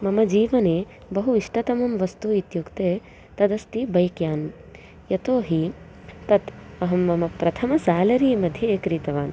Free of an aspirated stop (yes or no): no